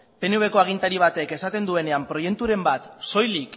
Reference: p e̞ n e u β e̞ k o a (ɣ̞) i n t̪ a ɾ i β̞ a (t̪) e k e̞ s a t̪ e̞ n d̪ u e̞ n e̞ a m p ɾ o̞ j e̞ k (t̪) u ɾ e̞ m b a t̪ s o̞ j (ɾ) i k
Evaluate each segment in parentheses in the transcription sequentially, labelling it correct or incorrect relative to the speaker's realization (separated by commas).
correct, correct, correct, incorrect